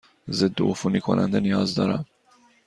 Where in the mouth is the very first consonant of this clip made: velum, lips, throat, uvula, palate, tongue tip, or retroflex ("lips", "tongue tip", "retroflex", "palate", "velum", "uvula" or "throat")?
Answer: tongue tip